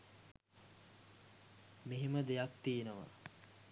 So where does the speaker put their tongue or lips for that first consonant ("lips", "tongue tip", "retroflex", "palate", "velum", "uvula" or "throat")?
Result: lips